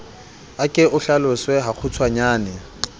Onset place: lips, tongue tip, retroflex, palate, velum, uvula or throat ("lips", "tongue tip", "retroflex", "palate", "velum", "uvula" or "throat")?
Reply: velum